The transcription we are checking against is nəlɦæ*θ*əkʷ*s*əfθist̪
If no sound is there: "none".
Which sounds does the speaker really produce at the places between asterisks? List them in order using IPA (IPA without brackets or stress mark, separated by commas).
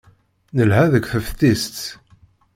ð, θ